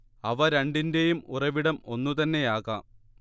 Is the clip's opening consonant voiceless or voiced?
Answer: voiced